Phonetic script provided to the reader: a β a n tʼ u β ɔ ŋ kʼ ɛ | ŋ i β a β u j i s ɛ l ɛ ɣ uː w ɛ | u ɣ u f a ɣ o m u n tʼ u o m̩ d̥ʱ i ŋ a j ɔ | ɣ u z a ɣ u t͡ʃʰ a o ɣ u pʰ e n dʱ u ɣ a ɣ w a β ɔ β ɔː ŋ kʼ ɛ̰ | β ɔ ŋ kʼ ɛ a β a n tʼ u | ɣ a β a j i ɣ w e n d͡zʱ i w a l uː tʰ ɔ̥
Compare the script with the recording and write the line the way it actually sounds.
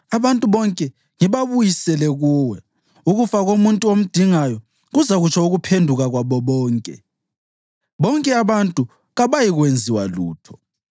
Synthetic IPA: a β a n tʼ u β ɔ ŋ kʼ ɛ | ŋ i β a β u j i s ɛ l ɛ ɣ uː w ɛ | u ɣ u f a ɣ o m u n tʼ u o m̩ d̥ʱ i ŋ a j ɔ | ɣ u z a ɣ u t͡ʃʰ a u ɣ u pʰ e n dʱ u ɣ a ɣ w a β ɔ β ɔː ŋ kʼ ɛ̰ | β ɔ ŋ kʼ ɛ a β a n tʼ u | ɣ a β a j i ɣ w e n d͡zʱ i w a l uː tʰ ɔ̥